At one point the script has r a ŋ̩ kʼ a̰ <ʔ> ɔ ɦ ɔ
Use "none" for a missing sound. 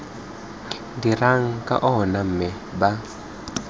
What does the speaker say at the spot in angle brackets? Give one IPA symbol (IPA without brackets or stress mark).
ʔ